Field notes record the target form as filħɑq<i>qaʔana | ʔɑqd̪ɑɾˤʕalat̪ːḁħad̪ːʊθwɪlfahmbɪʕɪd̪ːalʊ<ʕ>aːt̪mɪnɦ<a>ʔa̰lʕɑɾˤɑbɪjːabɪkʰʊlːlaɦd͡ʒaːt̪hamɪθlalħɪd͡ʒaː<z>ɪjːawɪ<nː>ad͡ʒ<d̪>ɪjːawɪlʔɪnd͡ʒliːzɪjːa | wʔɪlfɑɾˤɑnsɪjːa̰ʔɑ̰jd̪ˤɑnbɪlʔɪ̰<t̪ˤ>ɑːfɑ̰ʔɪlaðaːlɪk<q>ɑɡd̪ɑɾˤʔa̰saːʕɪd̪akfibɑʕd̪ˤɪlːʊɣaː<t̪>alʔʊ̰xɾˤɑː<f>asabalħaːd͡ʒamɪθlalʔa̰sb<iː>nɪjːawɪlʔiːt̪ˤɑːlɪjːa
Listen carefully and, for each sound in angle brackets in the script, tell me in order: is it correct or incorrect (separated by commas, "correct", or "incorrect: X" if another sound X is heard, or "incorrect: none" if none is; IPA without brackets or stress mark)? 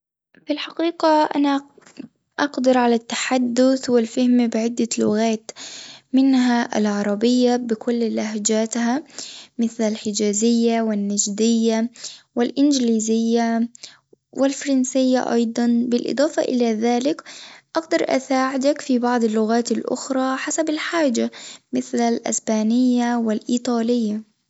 incorrect: iː, incorrect: ɣ, correct, correct, correct, correct, incorrect: d̪ˤ, incorrect: ʔ, correct, incorrect: ħ, incorrect: aː